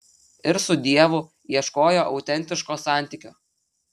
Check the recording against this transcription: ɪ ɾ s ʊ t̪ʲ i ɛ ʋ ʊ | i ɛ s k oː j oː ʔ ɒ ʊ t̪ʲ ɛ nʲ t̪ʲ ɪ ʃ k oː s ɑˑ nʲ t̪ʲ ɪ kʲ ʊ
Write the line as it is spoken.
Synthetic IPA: ɪ ɾ s ʊ d̪ʲ i ɛ ʋ ʊ | i ɛ ʃ k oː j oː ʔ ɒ ʊ t̪ʲ ɛ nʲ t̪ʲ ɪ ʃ k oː s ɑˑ nʲ t̪ʲ ɪ kʲ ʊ